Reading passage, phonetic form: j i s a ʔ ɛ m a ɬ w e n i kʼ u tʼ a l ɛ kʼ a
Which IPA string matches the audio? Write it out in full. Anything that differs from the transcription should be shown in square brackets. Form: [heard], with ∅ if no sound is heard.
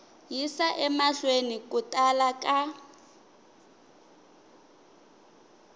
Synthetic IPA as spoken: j i s a ʔ ɛ m a ɬ w e n i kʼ u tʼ a l [a] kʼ a

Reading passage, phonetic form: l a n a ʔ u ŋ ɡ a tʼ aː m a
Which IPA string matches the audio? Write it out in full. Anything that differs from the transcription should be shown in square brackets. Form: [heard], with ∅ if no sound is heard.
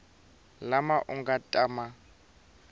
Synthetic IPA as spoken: l a [m] a ʔ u ŋ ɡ a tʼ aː m a

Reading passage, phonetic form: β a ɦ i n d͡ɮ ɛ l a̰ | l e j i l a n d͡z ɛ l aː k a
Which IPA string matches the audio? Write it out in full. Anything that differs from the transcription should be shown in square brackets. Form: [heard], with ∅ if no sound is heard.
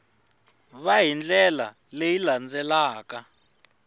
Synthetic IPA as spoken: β a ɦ i n d͡ɮ ɛ l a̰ | l e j i l a n d͡z ɛ l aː k a

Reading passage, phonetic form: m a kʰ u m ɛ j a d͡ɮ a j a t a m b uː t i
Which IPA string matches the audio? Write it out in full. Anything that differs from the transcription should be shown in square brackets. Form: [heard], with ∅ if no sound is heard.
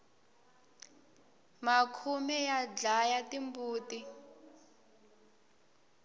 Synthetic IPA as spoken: m a kʰ u m ɛ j a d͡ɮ a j a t [i] m b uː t i

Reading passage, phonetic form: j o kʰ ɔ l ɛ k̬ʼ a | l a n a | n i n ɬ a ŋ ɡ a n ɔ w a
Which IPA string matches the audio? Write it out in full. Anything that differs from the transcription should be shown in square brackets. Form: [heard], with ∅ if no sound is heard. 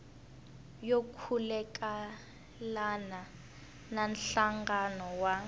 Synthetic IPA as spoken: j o kʰ [u] l ɛ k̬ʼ a | l a n a | n [a] n ɬ a ŋ ɡ a n ɔ w a

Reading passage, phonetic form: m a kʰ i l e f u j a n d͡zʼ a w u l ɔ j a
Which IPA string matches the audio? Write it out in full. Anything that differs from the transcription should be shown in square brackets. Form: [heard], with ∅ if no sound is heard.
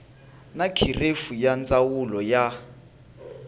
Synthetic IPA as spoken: [n] a kʰ i [r] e f u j a n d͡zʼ a w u l ɔ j a

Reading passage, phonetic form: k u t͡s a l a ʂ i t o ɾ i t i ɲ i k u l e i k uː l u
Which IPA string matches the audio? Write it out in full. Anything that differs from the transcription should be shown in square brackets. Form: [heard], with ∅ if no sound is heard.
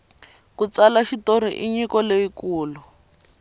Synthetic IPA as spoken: k u t͡s a l a [ʃ] i t o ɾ i [ʔ] i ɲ i k [ɔ] l e i k uː l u

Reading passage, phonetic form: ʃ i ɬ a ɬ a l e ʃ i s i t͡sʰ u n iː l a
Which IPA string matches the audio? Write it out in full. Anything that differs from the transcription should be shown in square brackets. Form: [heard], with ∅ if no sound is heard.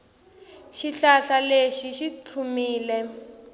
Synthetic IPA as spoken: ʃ i ɬ a ɬ a l e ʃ i [ʃ] i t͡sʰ u [m] iː l [ɛ]

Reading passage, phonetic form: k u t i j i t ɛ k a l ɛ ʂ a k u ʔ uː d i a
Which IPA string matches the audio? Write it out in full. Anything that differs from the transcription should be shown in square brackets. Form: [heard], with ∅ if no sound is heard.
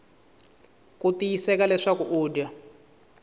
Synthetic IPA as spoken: k u t i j i [s] ɛ k a l ɛ ʂ a k u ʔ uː d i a

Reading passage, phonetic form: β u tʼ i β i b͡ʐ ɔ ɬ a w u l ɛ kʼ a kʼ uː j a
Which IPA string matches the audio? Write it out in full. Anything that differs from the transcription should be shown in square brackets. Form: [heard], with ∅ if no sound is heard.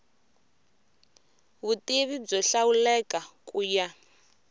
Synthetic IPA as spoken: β u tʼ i β i b͡ʐ ɔ ɬ a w u l ɛ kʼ a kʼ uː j a

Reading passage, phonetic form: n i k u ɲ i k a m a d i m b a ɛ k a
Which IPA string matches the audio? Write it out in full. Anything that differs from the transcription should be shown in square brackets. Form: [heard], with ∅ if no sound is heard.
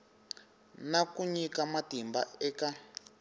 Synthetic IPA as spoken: n [a] k u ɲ i k a m a [t] i m b a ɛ k a

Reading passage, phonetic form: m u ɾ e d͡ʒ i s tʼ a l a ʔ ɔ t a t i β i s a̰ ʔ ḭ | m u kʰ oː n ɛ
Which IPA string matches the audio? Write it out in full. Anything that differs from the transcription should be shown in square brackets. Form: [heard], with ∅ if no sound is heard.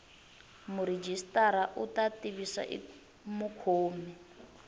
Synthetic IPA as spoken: m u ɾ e d͡ʒ i s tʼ a [ɾ] a ʔ [u] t a t i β i s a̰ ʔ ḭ | m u kʰ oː [m] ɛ

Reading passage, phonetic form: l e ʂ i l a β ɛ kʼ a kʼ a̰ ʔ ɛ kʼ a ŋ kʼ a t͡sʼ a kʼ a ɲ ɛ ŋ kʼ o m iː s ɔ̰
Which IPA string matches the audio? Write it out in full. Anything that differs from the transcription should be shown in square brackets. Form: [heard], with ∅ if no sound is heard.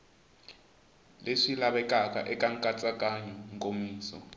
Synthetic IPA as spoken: l e ʂ i l a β ɛ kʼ a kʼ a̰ ʔ ɛ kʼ a ŋ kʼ a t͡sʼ a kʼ a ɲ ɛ ŋ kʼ o m iː s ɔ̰

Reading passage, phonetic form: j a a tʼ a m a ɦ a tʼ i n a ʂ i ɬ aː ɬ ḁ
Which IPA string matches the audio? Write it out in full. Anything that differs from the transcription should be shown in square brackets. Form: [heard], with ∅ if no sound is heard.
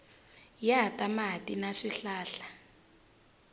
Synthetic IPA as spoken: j a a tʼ a m a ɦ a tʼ i n a ʂ i ɬ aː ɬ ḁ

